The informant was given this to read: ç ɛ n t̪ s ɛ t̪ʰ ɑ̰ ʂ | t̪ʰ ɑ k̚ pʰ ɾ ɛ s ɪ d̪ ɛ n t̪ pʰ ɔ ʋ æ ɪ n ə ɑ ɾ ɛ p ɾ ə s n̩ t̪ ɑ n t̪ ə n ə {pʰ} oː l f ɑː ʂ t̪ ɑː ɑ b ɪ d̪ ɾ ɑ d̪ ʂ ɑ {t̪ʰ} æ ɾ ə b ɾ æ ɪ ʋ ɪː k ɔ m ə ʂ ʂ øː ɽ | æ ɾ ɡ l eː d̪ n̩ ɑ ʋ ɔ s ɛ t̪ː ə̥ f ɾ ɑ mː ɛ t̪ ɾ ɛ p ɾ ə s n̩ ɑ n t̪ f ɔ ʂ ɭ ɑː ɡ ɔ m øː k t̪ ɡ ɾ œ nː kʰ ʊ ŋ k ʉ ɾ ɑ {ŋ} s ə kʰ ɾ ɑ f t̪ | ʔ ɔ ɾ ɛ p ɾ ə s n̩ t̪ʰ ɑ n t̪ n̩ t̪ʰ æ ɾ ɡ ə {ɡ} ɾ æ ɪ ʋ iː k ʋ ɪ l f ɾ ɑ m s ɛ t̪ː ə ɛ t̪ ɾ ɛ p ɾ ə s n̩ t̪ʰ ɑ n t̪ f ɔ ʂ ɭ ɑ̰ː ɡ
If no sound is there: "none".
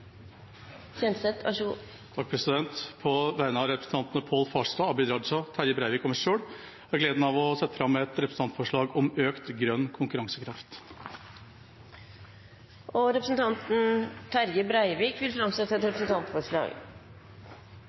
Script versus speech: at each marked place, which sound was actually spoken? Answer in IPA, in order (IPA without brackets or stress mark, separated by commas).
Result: pʰ, t̪ʰ, ŋ, b